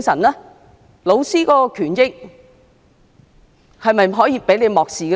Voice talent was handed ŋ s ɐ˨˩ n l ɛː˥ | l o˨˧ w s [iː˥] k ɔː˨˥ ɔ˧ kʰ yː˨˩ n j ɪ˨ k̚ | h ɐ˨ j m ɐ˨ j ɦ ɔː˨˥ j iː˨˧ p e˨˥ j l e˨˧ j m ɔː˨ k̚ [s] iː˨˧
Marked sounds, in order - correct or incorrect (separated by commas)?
correct, correct